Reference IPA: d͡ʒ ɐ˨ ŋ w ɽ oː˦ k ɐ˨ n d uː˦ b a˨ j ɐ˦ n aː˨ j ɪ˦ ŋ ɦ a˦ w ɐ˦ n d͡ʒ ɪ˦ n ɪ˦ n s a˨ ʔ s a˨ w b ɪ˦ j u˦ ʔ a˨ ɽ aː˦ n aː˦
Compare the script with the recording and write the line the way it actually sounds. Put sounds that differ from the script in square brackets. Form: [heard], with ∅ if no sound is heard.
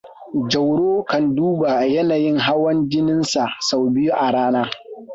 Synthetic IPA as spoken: d͡ʒ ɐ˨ [∅] w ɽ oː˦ k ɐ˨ n d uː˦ b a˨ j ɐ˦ n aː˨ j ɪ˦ ŋ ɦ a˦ w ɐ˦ n d͡ʒ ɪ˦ n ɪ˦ n s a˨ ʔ s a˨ w b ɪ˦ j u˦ ʔ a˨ ɽ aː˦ n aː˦